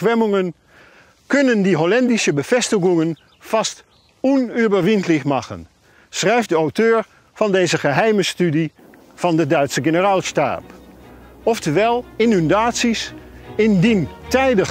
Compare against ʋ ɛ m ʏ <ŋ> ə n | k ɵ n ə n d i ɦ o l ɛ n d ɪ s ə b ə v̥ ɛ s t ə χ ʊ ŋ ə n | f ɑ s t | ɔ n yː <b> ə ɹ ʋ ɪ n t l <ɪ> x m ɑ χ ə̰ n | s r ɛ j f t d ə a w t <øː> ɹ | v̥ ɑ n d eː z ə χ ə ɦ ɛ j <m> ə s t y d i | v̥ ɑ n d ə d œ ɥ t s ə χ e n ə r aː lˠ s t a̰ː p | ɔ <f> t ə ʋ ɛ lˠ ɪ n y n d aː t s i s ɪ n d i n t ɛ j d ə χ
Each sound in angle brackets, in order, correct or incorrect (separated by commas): correct, correct, correct, correct, correct, correct